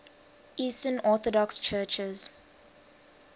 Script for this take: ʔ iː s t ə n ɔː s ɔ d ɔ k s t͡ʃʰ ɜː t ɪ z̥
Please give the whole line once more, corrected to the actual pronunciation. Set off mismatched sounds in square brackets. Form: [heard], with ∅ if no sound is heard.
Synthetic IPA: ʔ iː s t ə n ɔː [θ] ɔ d ɔ k s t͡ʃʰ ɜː [t͡ʃ] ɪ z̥